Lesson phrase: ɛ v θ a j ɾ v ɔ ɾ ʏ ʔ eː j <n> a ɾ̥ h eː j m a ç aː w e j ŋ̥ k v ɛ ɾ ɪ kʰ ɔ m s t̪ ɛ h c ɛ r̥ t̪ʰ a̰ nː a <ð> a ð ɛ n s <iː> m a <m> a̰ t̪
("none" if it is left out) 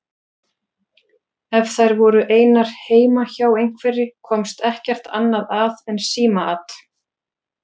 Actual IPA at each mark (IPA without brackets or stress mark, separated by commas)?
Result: n, ð, iː, none